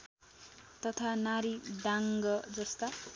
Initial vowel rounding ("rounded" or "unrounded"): unrounded